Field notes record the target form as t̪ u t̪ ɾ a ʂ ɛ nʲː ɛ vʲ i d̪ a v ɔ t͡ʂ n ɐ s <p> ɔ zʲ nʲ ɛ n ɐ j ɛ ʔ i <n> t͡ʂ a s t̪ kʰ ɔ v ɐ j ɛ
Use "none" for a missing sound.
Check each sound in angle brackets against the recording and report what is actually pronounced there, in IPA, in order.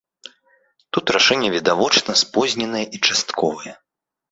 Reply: p, none

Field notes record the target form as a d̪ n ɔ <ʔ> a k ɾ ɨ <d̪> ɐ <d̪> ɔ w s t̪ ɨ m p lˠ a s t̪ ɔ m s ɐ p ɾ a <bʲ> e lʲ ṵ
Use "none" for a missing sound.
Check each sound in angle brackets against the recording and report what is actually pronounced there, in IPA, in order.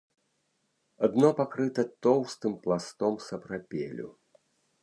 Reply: p, t̪, t̪, pʲ

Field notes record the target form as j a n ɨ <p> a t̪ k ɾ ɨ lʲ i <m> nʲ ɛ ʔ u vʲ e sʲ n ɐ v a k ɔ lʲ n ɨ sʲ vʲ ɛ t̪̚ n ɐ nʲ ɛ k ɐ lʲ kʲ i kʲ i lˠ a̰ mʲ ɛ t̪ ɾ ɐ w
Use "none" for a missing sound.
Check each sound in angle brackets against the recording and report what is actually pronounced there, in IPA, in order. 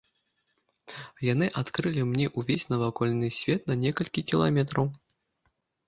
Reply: ʔ, m

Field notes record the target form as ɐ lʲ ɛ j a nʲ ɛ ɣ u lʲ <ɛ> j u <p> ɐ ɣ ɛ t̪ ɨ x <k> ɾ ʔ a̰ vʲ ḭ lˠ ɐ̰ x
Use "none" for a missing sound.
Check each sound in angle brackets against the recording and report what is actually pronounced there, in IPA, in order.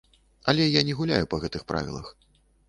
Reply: a, p, p

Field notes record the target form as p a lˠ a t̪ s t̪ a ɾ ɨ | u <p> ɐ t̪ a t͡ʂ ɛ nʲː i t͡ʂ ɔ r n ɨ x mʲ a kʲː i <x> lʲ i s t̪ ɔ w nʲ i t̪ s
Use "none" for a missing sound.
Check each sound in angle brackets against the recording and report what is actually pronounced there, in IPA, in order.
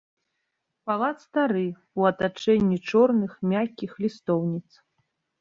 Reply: none, x

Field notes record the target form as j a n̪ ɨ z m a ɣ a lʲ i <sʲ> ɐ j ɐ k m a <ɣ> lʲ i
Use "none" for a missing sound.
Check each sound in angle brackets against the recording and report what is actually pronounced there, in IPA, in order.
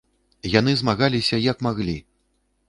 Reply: sʲ, ɣ

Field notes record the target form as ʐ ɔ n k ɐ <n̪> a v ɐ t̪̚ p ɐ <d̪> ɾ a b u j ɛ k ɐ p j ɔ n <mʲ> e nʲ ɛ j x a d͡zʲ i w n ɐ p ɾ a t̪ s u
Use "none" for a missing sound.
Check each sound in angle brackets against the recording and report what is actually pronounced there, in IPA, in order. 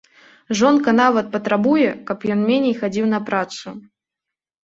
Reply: n̪, t̪, mʲ

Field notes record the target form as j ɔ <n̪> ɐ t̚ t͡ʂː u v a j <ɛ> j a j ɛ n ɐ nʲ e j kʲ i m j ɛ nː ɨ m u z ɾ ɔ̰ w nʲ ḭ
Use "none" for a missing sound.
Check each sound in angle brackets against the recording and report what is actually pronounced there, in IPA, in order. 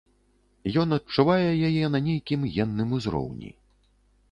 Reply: n̪, ɛ

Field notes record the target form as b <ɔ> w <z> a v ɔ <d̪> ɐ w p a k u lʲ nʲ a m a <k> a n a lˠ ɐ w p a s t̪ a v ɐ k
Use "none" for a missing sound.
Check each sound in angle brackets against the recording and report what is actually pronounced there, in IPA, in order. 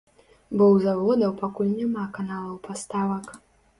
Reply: ɔ, z, d̪, k

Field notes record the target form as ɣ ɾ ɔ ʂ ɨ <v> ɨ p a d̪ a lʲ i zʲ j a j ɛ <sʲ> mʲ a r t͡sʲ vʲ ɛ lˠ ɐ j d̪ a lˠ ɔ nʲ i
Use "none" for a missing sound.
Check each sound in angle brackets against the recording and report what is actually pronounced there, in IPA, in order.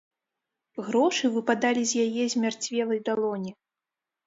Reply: v, zʲ

